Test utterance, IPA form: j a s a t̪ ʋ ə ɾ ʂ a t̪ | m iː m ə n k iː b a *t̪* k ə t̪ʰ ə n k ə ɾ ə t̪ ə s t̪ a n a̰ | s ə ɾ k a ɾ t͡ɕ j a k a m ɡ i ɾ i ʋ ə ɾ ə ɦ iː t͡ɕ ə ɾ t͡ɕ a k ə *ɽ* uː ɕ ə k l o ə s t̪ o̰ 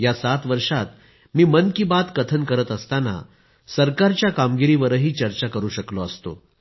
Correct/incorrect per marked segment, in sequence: correct, incorrect

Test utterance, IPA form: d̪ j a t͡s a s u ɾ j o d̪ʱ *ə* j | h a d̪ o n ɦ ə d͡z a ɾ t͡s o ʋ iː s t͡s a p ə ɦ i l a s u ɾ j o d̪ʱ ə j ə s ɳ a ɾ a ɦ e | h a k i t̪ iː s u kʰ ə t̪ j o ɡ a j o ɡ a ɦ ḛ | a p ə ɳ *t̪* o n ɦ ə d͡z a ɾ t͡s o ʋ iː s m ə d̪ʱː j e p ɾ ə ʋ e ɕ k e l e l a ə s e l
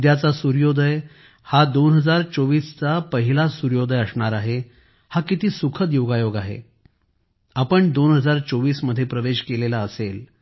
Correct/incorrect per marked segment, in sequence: correct, incorrect

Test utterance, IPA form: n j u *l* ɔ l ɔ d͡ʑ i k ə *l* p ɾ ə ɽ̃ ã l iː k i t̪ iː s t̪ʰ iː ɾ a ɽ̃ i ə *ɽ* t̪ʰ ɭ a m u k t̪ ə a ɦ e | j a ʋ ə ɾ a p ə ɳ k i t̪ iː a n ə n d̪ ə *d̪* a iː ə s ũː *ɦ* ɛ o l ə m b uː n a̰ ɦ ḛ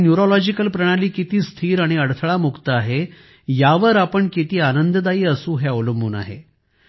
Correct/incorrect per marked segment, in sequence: incorrect, correct, correct, correct, correct

